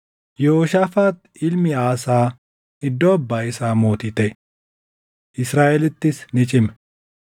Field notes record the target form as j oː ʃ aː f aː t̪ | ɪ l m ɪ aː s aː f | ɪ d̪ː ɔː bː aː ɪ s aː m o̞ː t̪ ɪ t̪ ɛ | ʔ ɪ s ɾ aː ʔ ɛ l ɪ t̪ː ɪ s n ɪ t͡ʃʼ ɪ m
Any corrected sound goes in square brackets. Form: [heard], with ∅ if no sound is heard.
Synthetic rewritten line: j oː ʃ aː f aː t̪ | ɪ l m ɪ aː s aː [∅] | ɪ d̪ː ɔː bː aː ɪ s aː m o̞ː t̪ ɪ t̪ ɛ | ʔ ɪ s ɾ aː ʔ ɛ l ɪ t̪ː ɪ s n ɪ t͡ʃʼ ɪ m